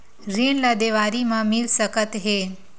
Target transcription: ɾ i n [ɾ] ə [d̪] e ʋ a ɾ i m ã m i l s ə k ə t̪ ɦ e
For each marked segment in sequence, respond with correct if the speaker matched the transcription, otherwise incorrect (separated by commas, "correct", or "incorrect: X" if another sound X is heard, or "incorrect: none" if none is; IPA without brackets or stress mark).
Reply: incorrect: l, correct